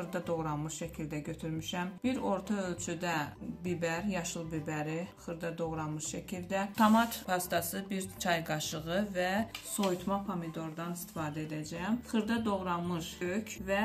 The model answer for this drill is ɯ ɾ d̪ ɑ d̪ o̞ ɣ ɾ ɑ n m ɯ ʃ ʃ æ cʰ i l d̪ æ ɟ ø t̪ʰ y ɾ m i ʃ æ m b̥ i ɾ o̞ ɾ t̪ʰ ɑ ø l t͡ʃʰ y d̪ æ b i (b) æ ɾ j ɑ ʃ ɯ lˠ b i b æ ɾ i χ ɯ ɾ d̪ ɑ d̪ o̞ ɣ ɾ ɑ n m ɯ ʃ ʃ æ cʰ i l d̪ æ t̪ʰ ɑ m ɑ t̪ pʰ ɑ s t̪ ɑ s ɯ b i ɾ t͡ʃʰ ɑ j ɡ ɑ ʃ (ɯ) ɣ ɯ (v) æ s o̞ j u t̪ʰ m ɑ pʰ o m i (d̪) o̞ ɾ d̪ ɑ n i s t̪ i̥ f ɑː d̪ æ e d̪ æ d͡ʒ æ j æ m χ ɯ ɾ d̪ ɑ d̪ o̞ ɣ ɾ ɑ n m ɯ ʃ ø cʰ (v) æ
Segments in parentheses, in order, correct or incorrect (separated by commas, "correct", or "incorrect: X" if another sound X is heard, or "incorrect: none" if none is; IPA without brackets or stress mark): correct, correct, correct, correct, correct